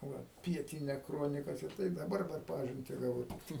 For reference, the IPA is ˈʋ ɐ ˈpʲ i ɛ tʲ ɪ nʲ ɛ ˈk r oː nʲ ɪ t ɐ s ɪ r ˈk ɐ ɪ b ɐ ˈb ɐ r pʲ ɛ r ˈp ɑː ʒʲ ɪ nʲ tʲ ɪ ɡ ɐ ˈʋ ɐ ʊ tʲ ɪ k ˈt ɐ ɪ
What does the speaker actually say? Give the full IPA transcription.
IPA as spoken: ˈʋ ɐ ˈpʲ i ɛ tʲ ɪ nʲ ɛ ˈk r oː nʲ ɪ k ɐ s ɪ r ˈt ɐ ɪ d ɐ ˈb ɐ r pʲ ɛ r ˈp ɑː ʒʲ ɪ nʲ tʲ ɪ ɡ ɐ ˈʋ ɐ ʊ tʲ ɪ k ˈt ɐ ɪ